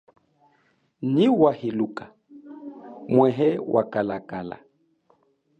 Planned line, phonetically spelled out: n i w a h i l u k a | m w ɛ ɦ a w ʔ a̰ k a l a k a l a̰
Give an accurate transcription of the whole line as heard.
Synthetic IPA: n i w a h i l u k a | m w ɛ ɦ ɛ w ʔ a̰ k a l a k a l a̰